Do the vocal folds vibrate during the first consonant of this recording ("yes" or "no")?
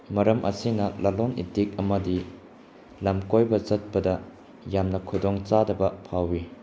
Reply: yes